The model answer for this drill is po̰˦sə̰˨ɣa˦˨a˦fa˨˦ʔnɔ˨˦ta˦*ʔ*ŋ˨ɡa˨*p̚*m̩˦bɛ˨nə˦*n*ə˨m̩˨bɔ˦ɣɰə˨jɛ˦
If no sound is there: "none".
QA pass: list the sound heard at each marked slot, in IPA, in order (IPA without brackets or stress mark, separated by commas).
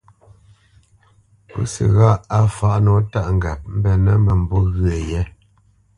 ʔ, p̚, m